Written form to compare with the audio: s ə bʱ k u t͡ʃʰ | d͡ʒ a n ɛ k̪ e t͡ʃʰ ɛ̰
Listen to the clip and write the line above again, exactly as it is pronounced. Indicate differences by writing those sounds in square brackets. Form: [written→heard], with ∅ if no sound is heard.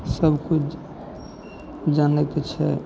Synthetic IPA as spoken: s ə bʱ k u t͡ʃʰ | d͡ʒ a n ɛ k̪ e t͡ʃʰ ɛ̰